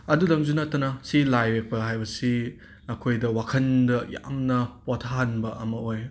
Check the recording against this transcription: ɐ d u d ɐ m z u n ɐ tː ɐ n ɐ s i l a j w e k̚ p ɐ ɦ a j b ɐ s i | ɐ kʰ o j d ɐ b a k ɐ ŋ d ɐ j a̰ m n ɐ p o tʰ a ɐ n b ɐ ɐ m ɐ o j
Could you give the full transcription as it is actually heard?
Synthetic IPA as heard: ɐ d u d ɐ ŋ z u n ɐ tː ɐ n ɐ s i l a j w e k̚ p ɐ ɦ a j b ɐ s i | ɐ kʰ o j d ɐ w a kʰ ɐ n d ɐ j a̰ m n ɐ p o tʰ a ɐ n b ɐ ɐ m ɐ o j